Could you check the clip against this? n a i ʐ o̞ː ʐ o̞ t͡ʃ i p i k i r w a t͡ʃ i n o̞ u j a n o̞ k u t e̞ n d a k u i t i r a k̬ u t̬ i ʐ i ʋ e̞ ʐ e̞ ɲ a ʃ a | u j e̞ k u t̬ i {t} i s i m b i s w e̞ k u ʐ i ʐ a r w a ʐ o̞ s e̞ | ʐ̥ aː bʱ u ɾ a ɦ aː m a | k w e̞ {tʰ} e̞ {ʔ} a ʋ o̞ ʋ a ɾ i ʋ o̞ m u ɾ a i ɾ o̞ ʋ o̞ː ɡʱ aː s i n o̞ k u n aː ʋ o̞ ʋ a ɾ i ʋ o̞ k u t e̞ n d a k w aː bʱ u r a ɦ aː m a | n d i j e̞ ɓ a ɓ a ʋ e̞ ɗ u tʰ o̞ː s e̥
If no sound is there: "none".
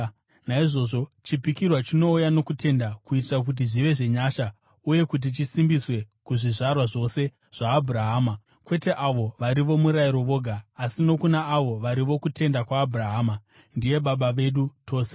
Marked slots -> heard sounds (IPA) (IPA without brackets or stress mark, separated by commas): t͡ʃ, t, ʔ